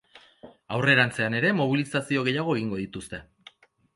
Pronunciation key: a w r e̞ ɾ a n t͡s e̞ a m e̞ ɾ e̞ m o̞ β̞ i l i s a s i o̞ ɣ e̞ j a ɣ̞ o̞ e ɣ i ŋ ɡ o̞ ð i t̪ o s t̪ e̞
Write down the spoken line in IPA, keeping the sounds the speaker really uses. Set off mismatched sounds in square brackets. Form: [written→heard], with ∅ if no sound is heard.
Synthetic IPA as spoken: a w r e̞ ɾ a n t͡s e̞ a [m→n] e̞ ɾ e̞ m o̞ β̞ i l i s a s i o̞ ɣ e̞ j a ɣ̞ o̞ e ɣ i ŋ ɡ o̞ ð i t̪ [o→u] s t̪ e̞